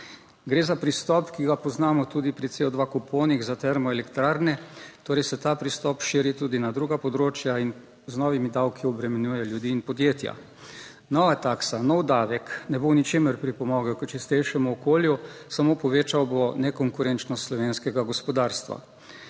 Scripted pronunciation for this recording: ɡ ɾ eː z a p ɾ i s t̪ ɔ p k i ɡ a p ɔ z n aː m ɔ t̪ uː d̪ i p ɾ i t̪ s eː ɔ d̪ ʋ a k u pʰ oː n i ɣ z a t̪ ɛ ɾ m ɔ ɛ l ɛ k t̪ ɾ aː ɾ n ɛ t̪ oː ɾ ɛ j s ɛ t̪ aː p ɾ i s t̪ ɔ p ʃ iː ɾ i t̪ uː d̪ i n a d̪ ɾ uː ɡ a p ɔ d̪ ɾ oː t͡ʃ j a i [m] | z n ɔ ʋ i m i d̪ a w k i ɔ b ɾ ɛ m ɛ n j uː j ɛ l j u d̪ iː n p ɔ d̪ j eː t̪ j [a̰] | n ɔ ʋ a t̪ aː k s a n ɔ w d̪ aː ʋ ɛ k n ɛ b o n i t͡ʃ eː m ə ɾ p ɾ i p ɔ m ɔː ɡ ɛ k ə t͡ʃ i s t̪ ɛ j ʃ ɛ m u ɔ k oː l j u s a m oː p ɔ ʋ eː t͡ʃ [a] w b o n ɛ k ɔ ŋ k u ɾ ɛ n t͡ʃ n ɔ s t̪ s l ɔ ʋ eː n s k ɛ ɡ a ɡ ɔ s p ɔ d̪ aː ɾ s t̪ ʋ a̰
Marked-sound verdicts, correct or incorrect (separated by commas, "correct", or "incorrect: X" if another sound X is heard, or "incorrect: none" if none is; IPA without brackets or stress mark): incorrect: n, correct, correct